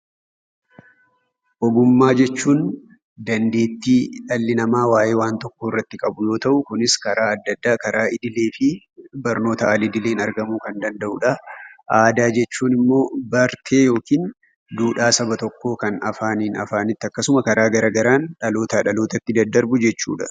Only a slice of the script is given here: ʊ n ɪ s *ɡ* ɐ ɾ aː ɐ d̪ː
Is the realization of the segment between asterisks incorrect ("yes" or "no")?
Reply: yes